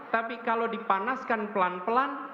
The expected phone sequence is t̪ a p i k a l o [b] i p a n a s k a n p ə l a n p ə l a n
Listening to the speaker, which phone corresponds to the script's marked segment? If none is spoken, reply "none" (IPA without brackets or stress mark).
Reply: d